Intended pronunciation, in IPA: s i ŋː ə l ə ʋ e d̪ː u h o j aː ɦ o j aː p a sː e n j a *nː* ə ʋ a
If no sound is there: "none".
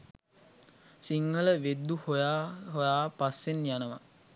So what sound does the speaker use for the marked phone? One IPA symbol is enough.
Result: n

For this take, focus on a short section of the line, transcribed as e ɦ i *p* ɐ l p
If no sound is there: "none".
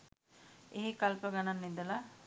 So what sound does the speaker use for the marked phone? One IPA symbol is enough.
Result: k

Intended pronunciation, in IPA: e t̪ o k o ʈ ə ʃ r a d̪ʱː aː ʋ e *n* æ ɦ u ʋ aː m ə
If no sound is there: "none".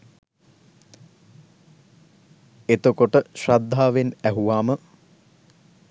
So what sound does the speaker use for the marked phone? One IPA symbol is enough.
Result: n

